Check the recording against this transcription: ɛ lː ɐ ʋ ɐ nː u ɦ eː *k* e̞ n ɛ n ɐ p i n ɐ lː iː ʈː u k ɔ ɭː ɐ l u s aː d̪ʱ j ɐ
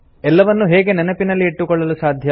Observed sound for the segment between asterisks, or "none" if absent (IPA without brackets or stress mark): ɡ